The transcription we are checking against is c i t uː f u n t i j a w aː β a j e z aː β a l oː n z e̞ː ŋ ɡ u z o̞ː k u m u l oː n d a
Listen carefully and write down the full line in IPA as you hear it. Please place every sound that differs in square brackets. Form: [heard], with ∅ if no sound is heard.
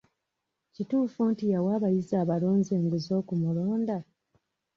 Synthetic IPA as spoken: c i t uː f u n t i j a w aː β a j [i] z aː β a l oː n z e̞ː ŋ ɡ u z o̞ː k u m u l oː n d a